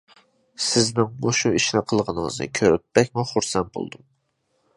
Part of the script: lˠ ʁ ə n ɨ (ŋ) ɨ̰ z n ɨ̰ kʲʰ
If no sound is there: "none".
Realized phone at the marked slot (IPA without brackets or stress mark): ŋ